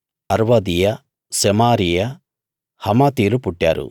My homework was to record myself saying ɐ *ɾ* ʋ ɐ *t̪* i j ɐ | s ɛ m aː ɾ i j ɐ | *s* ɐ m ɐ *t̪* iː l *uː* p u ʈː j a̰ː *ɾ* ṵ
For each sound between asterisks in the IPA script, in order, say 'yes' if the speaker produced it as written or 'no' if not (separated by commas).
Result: yes, no, no, yes, no, yes